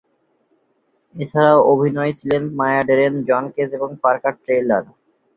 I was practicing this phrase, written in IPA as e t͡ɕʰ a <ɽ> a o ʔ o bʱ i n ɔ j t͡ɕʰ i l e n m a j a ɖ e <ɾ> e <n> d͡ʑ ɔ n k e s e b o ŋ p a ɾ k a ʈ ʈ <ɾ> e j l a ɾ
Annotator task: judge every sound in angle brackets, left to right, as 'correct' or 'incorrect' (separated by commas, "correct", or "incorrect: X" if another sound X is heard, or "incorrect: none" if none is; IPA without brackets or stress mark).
incorrect: ɾ, correct, correct, correct